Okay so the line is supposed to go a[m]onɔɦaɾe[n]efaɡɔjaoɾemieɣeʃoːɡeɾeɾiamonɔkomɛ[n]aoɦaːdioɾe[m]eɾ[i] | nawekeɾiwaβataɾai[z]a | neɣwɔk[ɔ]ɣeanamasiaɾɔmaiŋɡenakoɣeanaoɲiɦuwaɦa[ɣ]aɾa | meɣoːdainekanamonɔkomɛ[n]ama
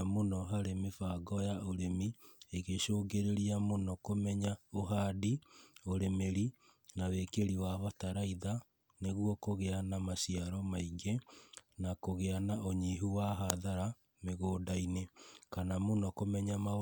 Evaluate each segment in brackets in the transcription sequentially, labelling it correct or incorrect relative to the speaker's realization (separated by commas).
correct, incorrect, incorrect, correct, correct, incorrect, incorrect, incorrect, incorrect